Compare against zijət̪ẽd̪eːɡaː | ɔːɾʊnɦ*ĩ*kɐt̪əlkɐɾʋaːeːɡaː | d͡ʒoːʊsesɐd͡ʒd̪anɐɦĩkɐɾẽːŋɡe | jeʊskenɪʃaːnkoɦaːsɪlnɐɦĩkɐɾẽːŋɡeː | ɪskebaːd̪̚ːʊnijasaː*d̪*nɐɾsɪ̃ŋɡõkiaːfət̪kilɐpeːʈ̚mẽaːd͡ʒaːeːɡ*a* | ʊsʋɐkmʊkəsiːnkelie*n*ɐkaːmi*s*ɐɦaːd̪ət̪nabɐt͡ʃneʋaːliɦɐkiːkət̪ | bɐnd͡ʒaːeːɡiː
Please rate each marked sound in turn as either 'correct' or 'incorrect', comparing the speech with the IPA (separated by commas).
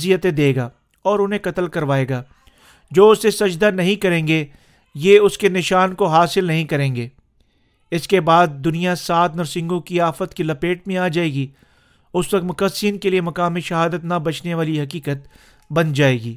incorrect, incorrect, incorrect, incorrect, incorrect